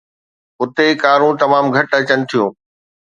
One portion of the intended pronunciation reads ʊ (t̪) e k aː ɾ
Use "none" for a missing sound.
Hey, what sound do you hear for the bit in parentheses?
t̪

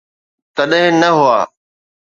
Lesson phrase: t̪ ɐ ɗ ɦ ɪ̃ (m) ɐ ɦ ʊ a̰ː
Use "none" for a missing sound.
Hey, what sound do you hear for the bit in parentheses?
n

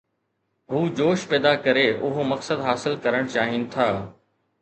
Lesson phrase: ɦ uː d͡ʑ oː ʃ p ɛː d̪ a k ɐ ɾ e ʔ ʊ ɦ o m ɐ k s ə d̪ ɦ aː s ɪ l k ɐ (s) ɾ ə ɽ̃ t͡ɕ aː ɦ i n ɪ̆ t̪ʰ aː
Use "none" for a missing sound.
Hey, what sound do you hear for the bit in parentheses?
none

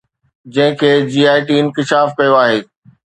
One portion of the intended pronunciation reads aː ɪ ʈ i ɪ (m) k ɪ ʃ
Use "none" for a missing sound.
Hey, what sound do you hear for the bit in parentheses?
n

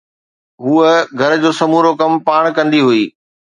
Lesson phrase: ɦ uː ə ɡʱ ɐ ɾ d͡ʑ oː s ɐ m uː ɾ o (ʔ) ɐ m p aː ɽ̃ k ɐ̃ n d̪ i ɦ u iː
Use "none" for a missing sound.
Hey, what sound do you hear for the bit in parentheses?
k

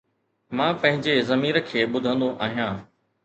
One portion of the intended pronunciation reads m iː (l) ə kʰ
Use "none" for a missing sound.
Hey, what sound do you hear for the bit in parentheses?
ɾ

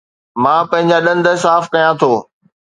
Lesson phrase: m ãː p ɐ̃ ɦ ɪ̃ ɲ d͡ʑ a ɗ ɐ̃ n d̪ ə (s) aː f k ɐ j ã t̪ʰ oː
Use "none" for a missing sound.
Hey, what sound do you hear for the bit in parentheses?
s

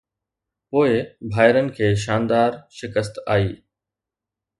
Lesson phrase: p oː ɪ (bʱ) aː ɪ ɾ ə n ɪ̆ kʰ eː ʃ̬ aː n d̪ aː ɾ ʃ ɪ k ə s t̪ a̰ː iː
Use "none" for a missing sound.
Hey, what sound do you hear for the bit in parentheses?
bʱ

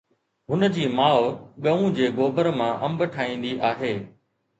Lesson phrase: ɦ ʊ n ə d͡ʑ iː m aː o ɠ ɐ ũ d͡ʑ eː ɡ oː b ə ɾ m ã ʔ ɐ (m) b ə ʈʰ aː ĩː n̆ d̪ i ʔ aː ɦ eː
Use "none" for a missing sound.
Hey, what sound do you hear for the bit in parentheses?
m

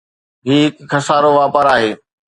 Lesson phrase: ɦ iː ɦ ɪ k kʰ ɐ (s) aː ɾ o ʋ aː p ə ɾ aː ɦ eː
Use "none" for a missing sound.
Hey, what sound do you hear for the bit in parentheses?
s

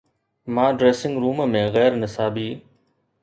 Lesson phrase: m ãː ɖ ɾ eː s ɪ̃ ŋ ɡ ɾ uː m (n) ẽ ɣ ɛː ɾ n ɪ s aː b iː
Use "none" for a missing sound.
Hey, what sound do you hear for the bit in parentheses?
m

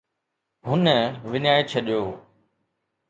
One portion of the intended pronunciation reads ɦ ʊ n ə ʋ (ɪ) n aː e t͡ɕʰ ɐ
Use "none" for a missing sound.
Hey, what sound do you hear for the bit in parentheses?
ɪ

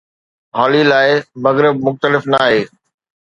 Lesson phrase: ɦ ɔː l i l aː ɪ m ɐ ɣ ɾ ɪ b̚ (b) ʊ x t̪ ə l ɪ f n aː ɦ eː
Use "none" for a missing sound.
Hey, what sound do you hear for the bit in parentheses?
m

